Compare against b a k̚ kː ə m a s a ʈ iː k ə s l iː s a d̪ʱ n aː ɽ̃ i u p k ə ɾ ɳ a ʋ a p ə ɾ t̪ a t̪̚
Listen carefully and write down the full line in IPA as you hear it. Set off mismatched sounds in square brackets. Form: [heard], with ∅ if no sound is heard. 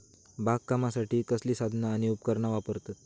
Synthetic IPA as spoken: b a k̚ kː [a] m a s a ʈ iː k ə s l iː s a d̪ʱ n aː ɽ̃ i u p k ə ɾ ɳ a ʋ a p ə ɾ t̪ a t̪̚